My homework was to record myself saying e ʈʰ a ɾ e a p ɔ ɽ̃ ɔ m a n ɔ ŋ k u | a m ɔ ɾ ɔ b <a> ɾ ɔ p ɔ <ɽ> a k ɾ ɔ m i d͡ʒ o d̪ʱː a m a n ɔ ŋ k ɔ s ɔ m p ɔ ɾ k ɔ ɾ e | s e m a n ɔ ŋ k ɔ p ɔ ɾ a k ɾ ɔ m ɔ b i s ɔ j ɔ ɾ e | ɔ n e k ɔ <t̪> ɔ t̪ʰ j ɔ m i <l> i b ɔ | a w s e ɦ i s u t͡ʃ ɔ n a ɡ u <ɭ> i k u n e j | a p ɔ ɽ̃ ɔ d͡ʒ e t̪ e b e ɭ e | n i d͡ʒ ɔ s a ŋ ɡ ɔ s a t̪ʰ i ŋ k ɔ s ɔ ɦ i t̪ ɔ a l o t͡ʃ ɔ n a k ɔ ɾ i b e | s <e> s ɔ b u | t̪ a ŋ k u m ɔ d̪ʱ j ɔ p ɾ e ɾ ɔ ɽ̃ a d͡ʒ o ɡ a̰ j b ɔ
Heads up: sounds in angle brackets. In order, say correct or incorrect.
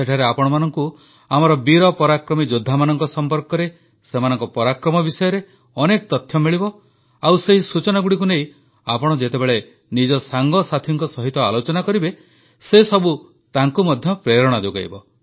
incorrect: i, incorrect: ɾ, correct, incorrect: ɭ, incorrect: ɽ, correct

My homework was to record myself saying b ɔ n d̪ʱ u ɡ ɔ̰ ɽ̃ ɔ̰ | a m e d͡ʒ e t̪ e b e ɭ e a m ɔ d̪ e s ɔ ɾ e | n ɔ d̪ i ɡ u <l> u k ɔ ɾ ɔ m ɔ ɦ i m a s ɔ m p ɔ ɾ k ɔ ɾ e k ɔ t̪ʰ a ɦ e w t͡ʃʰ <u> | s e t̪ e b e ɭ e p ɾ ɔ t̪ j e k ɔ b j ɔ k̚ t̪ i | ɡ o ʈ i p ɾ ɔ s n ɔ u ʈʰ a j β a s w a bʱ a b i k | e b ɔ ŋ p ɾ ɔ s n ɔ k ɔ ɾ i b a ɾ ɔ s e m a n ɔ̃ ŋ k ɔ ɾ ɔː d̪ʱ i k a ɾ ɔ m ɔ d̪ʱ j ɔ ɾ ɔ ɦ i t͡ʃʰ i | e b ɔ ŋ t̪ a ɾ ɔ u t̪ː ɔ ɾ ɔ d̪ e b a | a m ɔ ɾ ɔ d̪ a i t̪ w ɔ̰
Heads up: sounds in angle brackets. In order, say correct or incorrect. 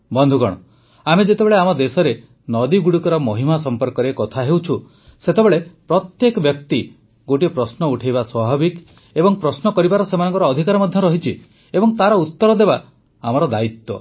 incorrect: ɽ, correct

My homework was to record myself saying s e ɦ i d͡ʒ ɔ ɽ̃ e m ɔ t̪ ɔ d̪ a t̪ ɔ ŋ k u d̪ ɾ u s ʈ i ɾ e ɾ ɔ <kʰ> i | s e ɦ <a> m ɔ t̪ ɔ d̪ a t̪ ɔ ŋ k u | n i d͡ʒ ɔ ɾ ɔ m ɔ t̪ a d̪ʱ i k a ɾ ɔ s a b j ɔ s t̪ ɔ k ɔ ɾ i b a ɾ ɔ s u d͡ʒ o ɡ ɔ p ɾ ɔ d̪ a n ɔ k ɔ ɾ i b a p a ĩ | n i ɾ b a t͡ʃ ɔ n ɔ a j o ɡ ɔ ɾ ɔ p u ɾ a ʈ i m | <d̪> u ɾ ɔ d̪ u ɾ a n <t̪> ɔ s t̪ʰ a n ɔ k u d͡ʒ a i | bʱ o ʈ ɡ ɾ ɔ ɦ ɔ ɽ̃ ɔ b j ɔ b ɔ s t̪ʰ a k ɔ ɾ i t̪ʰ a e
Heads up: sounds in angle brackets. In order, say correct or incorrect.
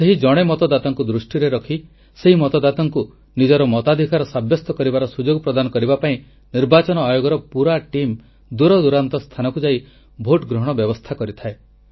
correct, incorrect: i, correct, correct

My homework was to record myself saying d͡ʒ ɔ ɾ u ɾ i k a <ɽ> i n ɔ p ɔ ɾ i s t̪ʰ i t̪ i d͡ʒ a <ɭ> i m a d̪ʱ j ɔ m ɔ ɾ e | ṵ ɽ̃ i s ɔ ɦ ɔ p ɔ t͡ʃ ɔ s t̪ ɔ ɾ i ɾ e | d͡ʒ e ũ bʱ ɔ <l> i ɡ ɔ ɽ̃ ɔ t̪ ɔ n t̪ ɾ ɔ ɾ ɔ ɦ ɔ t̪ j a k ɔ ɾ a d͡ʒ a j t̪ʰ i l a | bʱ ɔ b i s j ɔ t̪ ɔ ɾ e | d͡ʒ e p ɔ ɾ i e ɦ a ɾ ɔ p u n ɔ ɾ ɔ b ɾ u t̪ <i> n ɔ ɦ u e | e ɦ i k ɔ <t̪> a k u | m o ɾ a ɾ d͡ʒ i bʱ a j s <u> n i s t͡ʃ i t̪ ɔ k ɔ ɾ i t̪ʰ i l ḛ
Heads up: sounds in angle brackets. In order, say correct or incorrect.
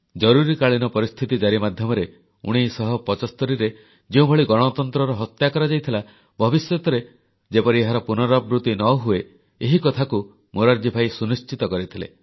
incorrect: ɭ, incorrect: ɾ, incorrect: ɭ, correct, incorrect: t̪ʰ, correct

